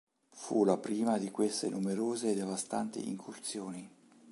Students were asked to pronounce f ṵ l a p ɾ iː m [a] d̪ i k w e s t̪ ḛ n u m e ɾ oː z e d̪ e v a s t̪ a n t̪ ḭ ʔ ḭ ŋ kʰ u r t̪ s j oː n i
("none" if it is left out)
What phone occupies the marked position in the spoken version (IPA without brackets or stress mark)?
a